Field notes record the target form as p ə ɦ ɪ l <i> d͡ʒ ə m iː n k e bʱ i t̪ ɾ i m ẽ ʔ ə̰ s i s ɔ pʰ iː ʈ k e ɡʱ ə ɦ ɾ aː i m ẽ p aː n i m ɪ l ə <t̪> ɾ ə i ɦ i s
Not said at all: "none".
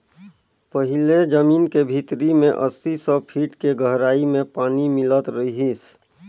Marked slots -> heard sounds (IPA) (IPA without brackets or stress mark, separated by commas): e, t̪